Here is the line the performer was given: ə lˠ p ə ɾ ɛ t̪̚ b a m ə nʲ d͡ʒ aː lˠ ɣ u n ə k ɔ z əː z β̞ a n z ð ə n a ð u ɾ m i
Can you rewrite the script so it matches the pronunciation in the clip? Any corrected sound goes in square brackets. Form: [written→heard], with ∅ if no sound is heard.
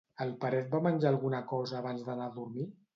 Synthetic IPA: ə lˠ p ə ɾ ɛ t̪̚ b a m ə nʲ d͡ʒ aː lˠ ɣ u n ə k ɔ z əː [z→∅] β̞ a n z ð ə n a ð u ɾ m i